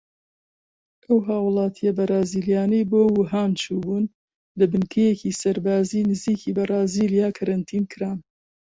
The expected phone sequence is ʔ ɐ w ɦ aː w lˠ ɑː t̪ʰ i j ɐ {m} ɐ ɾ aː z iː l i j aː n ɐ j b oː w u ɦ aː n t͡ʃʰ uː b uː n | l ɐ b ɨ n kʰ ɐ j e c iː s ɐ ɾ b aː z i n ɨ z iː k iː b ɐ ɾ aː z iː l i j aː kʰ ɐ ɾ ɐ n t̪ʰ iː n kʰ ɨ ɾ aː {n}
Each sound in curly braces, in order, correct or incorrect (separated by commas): incorrect, correct